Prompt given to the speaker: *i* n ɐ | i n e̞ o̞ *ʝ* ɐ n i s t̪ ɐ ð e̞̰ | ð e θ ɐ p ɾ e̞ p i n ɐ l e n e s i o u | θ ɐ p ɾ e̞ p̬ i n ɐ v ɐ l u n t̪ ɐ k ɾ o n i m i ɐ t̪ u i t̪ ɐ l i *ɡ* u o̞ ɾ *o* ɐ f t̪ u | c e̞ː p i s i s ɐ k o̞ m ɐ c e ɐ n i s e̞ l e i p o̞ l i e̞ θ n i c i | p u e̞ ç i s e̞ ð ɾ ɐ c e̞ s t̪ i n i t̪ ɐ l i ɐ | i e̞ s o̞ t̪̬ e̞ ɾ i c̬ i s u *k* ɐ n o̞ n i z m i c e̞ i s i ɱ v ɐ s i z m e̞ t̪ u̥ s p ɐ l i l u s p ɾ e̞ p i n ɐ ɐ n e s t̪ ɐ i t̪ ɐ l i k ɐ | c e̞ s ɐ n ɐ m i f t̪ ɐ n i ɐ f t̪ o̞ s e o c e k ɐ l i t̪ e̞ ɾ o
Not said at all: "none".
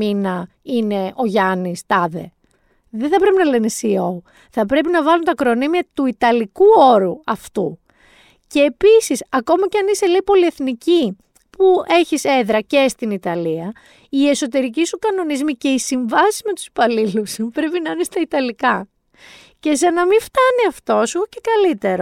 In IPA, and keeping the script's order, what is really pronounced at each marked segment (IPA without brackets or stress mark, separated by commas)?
i, ʝ, k, u, k